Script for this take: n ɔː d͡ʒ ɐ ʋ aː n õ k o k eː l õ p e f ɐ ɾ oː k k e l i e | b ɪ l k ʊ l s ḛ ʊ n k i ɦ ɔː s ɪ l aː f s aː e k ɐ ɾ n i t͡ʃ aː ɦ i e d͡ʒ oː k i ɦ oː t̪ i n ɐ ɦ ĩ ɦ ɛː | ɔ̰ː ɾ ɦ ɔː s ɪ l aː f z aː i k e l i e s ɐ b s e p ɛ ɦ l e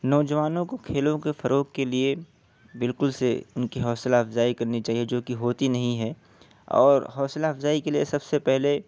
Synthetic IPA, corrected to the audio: n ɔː d͡ʒ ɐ ʋ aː n õ k o kʰ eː l õ k e f ɐ ɾ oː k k e l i e | b ɪ l k ʊ l s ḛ ʊ n k i ɦ ɔː s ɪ l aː f z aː i k ɐ ɾ n i t͡ʃ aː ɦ i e d͡ʒ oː k i ɦ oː t̪ i n ɐ ɦ ĩ ɦ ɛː | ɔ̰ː ɾ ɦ ɔː s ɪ l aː f z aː i k e l i e s ɐ b s e p ɛ ɦ l e